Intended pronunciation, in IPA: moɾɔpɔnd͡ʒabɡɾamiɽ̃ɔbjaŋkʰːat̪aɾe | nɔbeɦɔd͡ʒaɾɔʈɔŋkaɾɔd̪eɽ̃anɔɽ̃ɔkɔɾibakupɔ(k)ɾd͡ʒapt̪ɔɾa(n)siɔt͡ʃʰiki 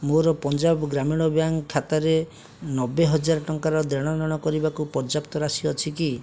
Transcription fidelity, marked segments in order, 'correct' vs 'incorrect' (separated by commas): incorrect, incorrect